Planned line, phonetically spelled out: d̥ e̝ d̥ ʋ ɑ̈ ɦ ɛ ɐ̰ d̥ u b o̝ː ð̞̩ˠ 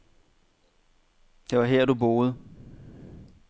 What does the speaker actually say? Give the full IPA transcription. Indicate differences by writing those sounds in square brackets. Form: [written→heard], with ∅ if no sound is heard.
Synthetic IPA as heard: d̥ e̝ [d̥→∅] ʋ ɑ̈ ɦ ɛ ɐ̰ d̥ u b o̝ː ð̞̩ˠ

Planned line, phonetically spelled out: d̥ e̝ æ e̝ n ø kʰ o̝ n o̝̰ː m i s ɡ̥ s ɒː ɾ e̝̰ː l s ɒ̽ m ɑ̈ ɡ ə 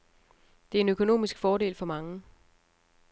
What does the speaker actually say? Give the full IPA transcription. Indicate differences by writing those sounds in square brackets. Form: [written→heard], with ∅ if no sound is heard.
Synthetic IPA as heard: d̥ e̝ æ e̝ n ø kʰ o̝ n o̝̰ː m i s ɡ̥ [s→f] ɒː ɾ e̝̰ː l [s→f] ɒ̽ m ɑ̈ [ɡ→ŋ] ə

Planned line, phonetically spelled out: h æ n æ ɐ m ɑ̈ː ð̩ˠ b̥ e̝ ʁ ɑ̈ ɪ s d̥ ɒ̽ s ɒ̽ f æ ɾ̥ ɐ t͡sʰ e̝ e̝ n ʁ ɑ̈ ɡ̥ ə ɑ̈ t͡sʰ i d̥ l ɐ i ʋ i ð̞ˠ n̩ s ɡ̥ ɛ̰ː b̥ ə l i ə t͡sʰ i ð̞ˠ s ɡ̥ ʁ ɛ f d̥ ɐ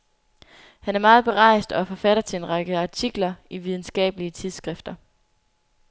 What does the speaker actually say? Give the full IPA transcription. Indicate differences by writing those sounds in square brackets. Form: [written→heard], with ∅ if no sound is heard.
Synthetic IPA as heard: h æ n æ ɐ m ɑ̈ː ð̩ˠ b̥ e̝ ʁ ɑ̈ ɪ s d̥ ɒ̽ [s→f] ɒ̽ f æ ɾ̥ ɐ t͡sʰ e̝ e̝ n ʁ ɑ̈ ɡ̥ ə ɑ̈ t͡sʰ i [d̥→ɡ̥] l ɐ i ʋ i ð̞ˠ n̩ s ɡ̥ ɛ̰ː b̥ ə l i ə t͡sʰ i ð̞ˠ s ɡ̥ ʁ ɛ f d̥ ɐ

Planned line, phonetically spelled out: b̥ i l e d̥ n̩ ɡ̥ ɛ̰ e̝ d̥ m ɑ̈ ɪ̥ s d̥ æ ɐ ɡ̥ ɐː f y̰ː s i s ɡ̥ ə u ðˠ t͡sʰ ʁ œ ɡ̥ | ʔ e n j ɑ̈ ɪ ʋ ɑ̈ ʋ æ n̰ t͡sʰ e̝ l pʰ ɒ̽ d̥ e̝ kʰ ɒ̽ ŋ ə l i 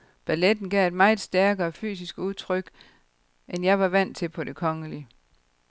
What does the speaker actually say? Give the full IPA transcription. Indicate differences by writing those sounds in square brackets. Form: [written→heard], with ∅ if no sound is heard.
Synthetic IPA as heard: b̥ [i→æ] l e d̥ n̩ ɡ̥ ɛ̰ e̝ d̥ m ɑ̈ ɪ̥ s d̥ æ ɐ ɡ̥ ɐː f y̰ː s i s ɡ̥ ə u ðˠ t͡sʰ ʁ œ ɡ̥ | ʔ e n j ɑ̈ ɪ ʋ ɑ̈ ʋ æ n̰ t͡sʰ e̝ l pʰ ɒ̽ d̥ e̝ kʰ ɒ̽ ŋ ə l i

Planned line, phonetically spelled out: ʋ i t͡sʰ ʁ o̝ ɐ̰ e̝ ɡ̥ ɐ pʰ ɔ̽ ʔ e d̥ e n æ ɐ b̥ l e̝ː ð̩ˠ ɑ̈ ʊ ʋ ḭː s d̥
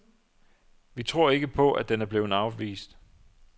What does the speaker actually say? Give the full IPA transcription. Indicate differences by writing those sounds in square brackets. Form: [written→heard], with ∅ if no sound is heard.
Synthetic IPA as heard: ʋ i t͡sʰ ʁ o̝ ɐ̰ e̝ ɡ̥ [ɐ→ə] pʰ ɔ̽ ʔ [e→æ] d̥ e n æ ɐ b̥ l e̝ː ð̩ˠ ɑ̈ ʊ ʋ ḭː s d̥

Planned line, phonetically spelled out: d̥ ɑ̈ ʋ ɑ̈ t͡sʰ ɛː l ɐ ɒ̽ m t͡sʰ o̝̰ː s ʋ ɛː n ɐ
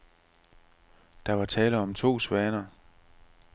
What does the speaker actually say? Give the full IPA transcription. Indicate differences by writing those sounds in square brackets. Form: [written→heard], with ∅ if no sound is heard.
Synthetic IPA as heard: d̥ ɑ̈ ʋ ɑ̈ t͡sʰ ɛː l [ɐ→ə] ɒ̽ m t͡sʰ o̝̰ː s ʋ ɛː n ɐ

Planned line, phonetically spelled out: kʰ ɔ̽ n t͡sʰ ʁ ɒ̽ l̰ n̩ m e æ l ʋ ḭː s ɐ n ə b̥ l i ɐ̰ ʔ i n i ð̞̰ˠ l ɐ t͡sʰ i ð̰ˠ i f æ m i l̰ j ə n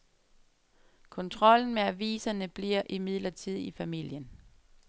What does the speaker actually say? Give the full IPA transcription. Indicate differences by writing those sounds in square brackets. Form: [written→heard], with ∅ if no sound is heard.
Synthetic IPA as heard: kʰ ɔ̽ n t͡sʰ ʁ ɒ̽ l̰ n̩ m e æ [l→∅] ʋ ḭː s ɐ n ə b̥ l i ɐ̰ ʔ i [n→m] i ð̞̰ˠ l ɐ t͡sʰ i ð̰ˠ i f æ m i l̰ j ə n

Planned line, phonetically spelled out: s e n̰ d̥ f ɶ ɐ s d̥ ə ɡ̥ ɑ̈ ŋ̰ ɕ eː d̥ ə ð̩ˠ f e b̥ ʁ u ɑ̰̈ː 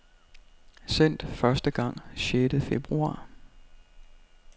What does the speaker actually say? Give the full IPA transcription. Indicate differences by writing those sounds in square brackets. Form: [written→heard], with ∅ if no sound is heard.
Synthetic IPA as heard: s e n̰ d̥ f ɶ ɐ s d̥ ə ɡ̥ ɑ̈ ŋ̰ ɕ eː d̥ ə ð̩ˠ f e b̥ ʁ u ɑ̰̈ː

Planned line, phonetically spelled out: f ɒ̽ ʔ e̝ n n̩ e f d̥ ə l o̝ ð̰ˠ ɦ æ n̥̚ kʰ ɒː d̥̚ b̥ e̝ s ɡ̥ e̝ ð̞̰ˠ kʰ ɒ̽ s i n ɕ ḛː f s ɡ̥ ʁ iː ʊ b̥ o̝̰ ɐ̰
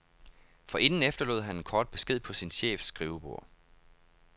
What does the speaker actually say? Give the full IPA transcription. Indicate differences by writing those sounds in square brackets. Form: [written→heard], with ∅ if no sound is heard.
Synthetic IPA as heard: f ɒ̽ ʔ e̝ n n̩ e f d̥ [ə→ɐ] l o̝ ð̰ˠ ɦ æ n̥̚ kʰ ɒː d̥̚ b̥ e̝ s ɡ̥ e̝ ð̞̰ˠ [kʰ→pʰ] ɒ̽ s i n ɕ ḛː f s ɡ̥ ʁ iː ʊ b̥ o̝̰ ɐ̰

